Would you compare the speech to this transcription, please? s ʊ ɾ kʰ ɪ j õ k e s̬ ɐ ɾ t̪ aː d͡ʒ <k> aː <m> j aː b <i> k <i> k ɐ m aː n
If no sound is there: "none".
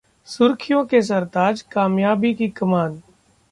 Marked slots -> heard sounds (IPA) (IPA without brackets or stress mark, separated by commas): k, m, i, i